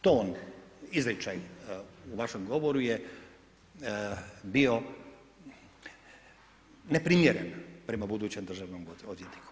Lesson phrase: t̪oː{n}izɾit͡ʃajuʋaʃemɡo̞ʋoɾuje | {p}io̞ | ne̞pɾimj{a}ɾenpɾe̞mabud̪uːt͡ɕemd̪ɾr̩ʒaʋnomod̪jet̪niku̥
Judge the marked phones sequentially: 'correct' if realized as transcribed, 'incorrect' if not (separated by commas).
correct, incorrect, incorrect